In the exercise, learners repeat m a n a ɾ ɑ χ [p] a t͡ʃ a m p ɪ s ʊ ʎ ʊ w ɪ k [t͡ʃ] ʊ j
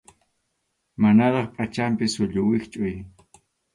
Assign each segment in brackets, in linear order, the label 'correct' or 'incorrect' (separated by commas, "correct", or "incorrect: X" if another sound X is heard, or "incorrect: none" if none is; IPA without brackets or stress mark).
incorrect: pʼ, incorrect: t͡ʃʼ